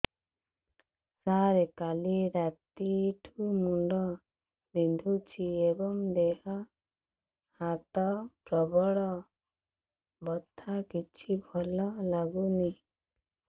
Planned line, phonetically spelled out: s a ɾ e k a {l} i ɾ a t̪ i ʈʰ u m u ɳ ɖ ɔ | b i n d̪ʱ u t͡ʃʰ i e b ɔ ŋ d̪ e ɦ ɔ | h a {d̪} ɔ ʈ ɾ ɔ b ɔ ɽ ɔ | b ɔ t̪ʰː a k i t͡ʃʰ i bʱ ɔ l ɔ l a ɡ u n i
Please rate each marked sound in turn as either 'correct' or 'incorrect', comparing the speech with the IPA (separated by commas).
correct, incorrect